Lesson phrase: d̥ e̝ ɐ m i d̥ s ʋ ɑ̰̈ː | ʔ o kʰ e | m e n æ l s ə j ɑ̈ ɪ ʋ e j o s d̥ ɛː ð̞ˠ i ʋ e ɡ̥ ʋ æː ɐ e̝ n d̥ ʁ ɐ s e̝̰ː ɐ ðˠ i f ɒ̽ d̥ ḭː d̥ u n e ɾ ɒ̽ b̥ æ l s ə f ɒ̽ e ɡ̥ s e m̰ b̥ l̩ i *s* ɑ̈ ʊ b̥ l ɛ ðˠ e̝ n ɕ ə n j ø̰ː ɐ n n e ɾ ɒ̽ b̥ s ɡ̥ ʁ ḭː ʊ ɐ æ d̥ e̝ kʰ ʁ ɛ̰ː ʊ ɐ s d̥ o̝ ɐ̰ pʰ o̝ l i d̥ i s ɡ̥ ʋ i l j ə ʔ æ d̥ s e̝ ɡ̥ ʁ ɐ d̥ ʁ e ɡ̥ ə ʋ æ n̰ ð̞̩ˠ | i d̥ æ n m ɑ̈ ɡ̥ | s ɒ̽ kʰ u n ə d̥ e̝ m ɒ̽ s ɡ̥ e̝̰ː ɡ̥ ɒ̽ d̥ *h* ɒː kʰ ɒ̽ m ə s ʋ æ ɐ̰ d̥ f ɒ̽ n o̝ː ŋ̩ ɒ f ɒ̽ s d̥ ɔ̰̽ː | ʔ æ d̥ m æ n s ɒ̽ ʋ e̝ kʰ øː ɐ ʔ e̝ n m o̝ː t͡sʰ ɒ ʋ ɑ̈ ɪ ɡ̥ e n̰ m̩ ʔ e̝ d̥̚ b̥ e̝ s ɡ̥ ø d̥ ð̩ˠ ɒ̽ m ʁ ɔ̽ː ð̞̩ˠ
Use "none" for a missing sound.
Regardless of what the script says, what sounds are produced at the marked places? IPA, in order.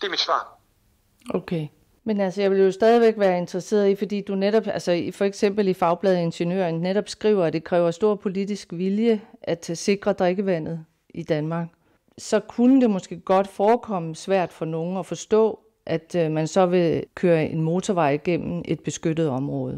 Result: f, f

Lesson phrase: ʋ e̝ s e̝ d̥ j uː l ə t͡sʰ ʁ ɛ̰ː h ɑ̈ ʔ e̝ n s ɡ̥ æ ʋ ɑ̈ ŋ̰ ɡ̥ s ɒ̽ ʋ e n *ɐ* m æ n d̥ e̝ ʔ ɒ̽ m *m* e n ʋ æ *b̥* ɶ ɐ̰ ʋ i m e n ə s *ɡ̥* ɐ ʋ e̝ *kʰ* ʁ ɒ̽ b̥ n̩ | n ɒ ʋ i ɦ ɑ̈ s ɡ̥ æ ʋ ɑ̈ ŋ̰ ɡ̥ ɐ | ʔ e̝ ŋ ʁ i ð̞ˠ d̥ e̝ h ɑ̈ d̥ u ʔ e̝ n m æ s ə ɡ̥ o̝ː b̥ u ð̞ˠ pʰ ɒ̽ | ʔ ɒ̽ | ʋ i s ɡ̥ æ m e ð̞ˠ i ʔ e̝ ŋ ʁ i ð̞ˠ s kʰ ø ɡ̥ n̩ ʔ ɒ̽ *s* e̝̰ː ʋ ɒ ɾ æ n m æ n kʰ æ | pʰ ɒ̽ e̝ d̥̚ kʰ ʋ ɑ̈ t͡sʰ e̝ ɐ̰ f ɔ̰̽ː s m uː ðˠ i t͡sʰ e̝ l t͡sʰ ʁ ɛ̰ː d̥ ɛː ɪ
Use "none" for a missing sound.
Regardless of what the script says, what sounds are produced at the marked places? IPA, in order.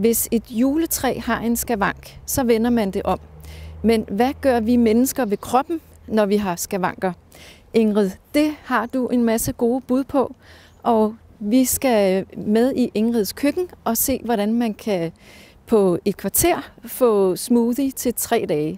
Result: ɐ, m, ɡ̥, ɡ̥, kʰ, s

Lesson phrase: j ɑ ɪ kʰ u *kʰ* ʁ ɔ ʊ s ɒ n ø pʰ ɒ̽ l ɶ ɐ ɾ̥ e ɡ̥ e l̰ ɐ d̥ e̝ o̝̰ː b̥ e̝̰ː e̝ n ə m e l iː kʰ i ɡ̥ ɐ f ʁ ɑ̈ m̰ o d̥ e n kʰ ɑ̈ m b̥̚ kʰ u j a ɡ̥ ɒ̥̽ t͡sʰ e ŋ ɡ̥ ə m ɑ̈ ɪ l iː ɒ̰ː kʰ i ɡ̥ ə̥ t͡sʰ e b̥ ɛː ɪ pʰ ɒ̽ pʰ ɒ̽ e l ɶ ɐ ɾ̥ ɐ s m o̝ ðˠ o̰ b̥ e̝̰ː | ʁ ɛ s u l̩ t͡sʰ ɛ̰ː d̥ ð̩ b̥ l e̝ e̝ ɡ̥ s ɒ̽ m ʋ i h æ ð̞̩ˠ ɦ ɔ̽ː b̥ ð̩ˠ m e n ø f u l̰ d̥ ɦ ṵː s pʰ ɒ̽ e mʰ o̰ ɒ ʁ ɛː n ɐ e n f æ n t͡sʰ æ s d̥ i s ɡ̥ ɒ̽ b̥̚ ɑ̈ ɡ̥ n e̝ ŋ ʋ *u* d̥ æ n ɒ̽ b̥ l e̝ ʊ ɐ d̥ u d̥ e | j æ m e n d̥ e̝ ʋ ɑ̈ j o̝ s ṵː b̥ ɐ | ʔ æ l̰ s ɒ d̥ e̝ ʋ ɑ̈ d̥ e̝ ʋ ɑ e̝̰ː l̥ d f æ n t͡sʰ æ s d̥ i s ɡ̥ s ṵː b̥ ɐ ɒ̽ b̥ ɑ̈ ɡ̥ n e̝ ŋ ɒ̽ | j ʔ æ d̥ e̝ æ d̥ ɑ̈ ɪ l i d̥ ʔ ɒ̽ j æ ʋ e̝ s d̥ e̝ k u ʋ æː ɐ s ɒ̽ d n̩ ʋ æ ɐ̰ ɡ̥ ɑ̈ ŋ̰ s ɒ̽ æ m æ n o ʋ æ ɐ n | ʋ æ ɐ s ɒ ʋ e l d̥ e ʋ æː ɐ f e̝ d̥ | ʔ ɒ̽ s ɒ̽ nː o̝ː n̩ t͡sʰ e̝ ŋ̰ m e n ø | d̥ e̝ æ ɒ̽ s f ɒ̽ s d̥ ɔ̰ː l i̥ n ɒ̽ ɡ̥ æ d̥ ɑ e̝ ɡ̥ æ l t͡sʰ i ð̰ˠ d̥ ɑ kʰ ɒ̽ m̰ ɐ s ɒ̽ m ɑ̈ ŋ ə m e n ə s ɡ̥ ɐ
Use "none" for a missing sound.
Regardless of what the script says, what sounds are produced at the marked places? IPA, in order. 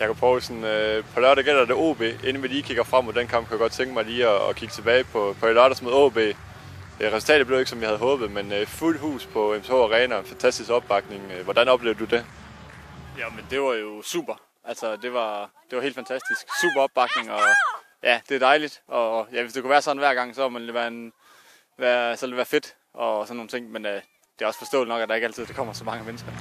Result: pʰ, ɒ

